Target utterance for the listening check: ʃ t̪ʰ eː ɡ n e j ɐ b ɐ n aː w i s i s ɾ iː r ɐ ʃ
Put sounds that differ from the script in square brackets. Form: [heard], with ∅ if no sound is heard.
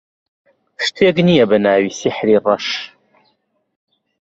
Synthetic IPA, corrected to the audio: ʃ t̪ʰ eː ɡ n [i] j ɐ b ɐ n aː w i s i [ħ] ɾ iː r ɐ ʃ